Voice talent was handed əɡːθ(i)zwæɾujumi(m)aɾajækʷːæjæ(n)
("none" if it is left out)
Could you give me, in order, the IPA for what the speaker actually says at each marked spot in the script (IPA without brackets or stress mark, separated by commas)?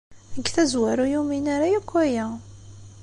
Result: æ, n, none